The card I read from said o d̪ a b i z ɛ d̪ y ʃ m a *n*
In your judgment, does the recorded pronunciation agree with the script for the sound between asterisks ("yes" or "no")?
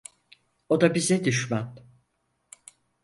yes